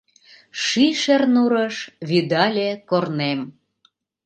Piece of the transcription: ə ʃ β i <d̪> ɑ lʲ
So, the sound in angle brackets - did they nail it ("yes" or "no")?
yes